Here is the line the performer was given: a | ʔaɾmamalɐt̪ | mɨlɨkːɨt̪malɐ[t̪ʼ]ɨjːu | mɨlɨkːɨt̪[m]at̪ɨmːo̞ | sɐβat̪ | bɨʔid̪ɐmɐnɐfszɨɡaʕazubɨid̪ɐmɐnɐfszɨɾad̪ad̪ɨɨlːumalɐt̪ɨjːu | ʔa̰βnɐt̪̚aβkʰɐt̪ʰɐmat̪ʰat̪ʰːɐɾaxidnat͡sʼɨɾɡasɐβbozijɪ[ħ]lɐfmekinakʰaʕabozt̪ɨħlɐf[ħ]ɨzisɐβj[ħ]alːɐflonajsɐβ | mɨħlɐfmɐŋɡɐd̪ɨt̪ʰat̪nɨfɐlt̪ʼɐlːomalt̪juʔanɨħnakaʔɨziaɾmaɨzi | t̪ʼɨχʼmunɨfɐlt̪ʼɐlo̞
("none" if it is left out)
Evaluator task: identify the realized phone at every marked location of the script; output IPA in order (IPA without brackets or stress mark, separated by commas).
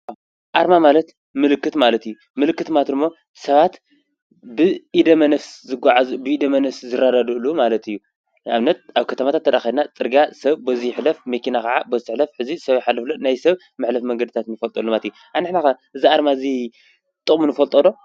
t̪, m, ħ, ħ, ħ